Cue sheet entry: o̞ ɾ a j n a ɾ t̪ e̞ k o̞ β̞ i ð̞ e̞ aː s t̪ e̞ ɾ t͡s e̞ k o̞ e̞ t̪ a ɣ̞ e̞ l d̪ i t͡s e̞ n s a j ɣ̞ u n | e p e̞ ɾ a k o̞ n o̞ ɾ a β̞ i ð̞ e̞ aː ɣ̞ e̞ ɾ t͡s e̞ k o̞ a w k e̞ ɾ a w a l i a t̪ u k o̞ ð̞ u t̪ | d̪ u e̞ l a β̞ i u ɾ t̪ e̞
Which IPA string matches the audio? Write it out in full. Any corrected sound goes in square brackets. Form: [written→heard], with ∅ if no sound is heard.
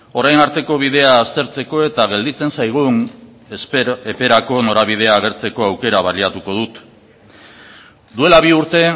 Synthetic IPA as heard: o̞ ɾ a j n a ɾ t̪ e̞ k o̞ β̞ i ð̞ e̞ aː s t̪ e̞ ɾ t͡s e̞ k o̞ e̞ t̪ a ɣ̞ e̞ l d̪ i t͡s e̞ n s a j ɣ̞ u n | e p e̞ ɾ a k o̞ n o̞ ɾ a β̞ i ð̞ e̞ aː ɣ̞ e̞ ɾ t͡s e̞ k o̞ a w k e̞ ɾ a [w→β] a l i a t̪ u k o̞ ð̞ u t̪ | d̪ u e̞ l a β̞ i u ɾ t̪ e̞